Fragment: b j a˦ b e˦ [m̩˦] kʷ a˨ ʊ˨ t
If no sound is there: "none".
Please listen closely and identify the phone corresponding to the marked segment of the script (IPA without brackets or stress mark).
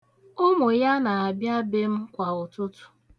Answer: m̩˦